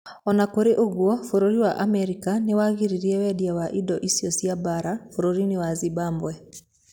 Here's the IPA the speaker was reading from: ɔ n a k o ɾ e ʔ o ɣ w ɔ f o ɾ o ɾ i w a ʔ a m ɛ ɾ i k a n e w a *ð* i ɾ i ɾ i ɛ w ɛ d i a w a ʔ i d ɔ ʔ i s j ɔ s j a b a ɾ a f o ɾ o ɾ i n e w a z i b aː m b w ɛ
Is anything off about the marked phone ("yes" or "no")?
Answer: yes